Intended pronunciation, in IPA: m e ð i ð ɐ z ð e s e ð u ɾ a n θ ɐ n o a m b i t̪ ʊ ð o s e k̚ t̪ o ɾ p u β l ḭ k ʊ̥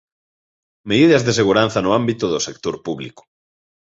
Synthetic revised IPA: m e ð i ð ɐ z ð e s e ɣ u ɾ a n θ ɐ n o a m b i t̪ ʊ ð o s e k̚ t̪ o ɾ p u β l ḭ k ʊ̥